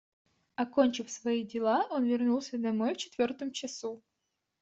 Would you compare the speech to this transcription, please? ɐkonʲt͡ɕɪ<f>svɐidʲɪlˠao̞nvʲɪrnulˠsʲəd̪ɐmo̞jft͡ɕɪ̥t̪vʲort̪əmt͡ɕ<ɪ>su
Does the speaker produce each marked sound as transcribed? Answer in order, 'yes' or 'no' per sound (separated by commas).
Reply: yes, yes